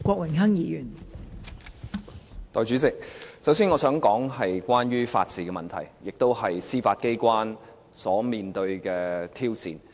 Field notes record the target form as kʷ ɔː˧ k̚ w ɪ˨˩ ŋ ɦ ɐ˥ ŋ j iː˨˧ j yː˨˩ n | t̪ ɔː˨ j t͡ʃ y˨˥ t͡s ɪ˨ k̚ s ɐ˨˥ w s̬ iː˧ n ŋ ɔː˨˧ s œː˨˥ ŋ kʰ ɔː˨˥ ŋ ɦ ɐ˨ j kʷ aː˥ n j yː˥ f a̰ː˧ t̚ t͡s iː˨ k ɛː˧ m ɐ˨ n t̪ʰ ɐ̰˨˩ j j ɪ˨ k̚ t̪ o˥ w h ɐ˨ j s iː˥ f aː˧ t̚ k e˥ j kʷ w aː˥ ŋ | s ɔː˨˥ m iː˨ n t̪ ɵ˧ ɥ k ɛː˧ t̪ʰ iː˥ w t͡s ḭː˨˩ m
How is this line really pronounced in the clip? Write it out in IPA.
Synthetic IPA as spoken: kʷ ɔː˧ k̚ w ɪ˨˩ ŋ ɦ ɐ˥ ŋ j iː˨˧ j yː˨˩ n | t̪ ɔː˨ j t͡ʃ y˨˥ t͡s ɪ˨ k̚ s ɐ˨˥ w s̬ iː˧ n ŋ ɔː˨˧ s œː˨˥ ŋ k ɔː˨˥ ŋ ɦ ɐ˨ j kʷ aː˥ n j yː˥ f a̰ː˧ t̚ t͡s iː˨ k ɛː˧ m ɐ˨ n t̪ʰ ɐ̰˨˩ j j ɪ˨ k̚ t̪ o˥ w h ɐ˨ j s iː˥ f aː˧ t̚ k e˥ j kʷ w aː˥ n | s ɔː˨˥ m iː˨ n t̪ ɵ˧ ɥ k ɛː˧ t̪ʰ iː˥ w t͡s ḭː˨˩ n